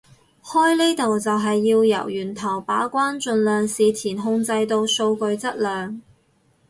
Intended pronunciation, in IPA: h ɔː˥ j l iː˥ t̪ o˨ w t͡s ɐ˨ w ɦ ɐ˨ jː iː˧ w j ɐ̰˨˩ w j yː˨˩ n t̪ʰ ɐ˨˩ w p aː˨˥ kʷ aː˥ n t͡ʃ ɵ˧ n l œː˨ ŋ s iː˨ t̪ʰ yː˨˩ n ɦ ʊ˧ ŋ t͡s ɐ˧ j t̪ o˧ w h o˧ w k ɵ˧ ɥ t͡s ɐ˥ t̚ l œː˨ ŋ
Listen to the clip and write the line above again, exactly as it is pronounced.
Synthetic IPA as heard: h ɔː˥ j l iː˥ t̪ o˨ w t͡s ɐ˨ w ɦ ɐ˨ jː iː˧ w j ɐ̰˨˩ w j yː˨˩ n t̪ʰ ɐ˨˩ w p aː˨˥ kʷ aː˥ n t͡ʃ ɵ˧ n l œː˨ ŋ s iː˨ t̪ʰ iː˨˩ n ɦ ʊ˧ ŋ t͡s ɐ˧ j t̪ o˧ w s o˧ w k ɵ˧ ɥ t͡s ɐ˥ t̚ l œː˨ ŋ